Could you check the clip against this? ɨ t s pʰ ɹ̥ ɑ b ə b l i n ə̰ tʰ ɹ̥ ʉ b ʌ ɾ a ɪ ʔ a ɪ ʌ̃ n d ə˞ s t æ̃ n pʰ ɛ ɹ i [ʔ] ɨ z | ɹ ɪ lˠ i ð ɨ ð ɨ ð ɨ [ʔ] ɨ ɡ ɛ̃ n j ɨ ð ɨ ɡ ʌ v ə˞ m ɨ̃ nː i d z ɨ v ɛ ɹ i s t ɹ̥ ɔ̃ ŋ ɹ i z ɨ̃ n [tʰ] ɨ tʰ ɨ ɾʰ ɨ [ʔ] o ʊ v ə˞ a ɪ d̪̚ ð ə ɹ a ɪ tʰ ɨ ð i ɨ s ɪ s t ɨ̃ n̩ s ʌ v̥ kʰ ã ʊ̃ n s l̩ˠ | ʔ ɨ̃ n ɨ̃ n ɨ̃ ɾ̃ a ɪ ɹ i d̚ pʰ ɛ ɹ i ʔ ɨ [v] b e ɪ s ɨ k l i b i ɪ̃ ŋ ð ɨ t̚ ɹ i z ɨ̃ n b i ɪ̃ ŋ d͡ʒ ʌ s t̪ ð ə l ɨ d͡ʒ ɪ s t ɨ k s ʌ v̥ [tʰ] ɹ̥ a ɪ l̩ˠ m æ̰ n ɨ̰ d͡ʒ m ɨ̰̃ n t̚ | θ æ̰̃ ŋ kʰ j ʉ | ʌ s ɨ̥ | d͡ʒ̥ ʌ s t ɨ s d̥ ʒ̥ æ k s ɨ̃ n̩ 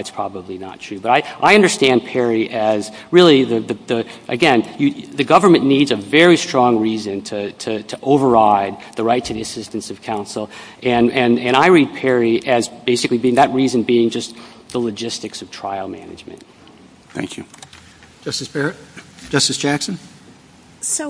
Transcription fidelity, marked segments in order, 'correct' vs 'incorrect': correct, correct, correct, correct, incorrect: z, correct

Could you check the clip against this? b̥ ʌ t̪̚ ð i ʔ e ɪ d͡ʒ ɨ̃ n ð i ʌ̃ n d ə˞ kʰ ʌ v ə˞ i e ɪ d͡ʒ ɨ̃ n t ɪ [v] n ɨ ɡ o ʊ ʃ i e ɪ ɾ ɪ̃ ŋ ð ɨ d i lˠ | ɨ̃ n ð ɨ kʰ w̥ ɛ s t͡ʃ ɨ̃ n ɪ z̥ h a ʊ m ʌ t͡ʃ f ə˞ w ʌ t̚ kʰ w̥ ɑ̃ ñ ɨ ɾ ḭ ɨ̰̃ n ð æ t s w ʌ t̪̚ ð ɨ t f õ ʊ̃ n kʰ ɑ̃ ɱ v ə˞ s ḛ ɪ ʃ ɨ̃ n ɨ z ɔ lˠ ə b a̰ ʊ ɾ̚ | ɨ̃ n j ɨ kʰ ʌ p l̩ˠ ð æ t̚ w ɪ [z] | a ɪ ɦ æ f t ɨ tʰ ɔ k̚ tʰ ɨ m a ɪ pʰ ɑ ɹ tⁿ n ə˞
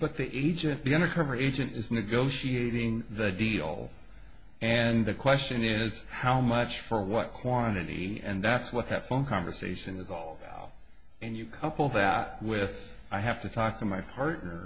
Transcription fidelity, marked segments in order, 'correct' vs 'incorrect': incorrect: z, incorrect: ð

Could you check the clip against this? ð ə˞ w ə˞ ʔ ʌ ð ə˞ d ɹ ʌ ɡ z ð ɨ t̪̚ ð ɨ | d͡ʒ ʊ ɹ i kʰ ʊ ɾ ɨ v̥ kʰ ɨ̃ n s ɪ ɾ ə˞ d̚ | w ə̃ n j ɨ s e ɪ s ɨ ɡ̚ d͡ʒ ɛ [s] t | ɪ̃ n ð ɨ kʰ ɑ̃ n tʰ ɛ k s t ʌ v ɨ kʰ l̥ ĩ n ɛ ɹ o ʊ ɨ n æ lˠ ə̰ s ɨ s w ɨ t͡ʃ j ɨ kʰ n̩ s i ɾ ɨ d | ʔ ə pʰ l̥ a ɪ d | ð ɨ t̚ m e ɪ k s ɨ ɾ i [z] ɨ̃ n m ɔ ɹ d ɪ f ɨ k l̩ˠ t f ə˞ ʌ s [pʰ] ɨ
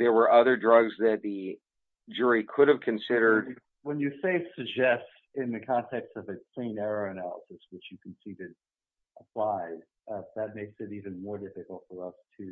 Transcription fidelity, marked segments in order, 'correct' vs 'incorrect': correct, incorrect: v, incorrect: tʰ

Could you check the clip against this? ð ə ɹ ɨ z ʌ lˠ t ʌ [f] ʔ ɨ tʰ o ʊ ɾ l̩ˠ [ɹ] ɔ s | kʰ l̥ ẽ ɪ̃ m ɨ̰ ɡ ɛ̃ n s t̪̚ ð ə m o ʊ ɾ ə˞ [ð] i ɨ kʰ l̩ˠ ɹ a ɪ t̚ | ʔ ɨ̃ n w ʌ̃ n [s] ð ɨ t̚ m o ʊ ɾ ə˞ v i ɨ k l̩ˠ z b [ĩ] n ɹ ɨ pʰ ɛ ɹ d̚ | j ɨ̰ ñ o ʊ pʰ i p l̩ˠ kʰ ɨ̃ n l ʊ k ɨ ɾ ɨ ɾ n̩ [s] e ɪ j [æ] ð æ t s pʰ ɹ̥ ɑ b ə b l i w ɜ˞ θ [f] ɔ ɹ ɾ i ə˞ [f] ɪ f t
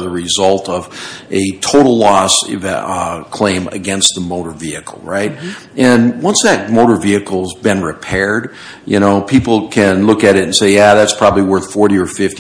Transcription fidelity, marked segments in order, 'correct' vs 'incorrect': incorrect: v, incorrect: l, incorrect: v, correct, incorrect: ɨ̃, correct, correct, correct, correct

